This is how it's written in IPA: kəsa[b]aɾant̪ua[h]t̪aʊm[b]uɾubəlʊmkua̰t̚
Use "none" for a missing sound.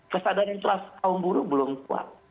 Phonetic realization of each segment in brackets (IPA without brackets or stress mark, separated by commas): d, s, b